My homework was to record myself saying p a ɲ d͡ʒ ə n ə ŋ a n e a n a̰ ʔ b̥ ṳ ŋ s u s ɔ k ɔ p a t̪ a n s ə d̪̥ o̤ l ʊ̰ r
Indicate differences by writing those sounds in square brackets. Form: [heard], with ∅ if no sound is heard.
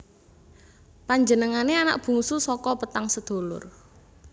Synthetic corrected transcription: p a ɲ d͡ʒ ə n ə ŋ a n e a n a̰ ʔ b̥ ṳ ŋ s u s ɔ k ɔ p [ə] t̪ a [ŋ] s ə d̪̥ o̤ l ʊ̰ r